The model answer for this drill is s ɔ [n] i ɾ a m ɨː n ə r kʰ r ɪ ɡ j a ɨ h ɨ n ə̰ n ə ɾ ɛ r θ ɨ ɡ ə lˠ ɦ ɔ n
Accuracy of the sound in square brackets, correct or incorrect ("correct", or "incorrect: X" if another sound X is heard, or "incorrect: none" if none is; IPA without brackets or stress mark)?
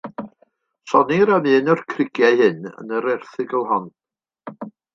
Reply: correct